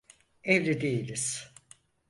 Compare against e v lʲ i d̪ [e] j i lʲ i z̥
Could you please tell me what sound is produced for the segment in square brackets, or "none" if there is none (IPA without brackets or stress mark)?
e